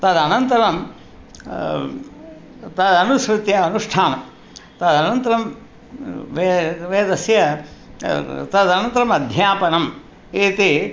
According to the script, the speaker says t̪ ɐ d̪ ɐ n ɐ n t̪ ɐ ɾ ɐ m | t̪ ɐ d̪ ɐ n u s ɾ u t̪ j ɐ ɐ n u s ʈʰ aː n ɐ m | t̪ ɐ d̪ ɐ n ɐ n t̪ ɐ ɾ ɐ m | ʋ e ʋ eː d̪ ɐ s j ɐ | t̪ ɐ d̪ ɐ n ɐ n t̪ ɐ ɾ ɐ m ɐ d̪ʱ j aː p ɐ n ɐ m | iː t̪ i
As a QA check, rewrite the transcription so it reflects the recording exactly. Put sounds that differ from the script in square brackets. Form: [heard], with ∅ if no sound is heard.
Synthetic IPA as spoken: t̪ ɐ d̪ ɐ n ɐ n t̪ ɐ ɾ ɐ m | t̪ ɐ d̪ ɐ n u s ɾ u t̪ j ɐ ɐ n u [ʂ] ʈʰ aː n ɐ m | t̪ ɐ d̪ ɐ n ɐ n t̪ ɐ ɾ ɐ m | ʋ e ʋ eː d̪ ɐ s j ɐ | t̪ ɐ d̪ ɐ n ɐ n t̪ ɐ ɾ ɐ m ɐ d̪ʱ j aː p ɐ n ɐ m | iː t̪ i